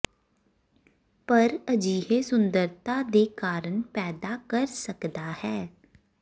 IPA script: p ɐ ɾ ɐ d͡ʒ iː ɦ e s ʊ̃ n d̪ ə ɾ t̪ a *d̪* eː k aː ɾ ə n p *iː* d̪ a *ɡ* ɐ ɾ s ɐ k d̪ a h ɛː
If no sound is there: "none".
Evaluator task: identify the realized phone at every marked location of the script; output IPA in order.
d̪, ɛː, k

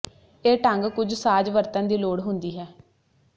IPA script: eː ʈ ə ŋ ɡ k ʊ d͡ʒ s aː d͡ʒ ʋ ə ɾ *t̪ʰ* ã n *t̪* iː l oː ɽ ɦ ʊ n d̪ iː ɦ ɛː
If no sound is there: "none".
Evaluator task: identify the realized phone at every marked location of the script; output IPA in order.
t̪, d̪

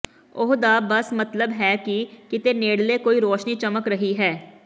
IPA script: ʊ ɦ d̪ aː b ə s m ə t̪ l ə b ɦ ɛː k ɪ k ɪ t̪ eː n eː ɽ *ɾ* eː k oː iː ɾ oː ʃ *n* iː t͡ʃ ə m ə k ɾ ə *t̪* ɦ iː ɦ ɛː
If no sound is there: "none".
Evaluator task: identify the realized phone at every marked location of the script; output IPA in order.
l, n, none

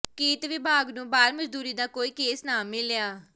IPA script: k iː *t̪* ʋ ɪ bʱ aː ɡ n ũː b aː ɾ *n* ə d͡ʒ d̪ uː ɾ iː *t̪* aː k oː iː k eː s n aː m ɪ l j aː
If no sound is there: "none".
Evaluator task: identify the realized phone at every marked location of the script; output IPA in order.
t̪, m, d̪

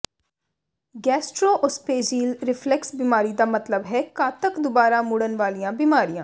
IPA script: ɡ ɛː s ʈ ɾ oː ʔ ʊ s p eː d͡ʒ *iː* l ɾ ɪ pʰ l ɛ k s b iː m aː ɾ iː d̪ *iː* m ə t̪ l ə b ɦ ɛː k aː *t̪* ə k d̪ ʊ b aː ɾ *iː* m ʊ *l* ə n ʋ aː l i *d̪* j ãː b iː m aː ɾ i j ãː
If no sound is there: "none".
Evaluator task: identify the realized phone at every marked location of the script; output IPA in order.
iː, aː, t̪, aː, ɽ, none

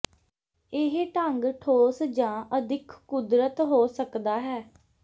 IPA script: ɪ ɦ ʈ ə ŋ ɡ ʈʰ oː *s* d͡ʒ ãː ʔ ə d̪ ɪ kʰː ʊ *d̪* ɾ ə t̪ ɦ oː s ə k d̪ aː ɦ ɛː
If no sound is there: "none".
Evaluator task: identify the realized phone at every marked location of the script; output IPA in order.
s, d̪

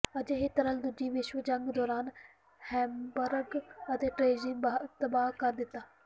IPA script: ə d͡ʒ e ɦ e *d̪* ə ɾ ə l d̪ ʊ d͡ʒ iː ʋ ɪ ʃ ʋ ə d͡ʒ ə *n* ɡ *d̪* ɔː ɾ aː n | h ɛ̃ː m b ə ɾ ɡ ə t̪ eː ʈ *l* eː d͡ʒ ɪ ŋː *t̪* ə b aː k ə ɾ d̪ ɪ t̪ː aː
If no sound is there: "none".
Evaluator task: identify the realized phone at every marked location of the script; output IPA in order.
t̪, ŋ, d̪, ɾ, t̪

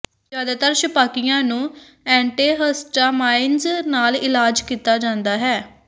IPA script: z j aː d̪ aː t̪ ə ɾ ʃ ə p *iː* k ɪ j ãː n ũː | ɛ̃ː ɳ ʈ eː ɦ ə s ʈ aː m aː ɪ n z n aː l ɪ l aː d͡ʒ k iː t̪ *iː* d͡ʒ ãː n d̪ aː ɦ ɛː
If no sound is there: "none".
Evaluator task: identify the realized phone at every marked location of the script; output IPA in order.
aː, aː

